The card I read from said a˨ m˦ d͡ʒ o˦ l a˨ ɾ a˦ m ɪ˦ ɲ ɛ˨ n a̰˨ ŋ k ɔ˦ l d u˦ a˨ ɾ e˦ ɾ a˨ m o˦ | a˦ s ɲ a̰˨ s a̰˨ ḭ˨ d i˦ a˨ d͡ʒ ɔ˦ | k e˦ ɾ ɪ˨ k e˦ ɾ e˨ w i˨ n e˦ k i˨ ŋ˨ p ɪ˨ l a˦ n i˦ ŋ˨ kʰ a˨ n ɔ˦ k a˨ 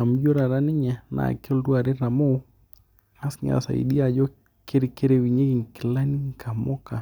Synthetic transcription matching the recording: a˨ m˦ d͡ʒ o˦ ɾ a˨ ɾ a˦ n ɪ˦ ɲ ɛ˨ n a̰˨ k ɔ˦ l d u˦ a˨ ɾ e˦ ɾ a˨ m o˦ | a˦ s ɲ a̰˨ s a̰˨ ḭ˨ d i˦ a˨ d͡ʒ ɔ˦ | k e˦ ɾ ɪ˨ k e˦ ɾ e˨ w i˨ ɲ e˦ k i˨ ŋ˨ k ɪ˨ l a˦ n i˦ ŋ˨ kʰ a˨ m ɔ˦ k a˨